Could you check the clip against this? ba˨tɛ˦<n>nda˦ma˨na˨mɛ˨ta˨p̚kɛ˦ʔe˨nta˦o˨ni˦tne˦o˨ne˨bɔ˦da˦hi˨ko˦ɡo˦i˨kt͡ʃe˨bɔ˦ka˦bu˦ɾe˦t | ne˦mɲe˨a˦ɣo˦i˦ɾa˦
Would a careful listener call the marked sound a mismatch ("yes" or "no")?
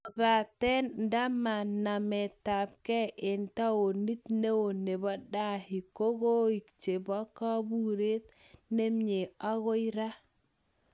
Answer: no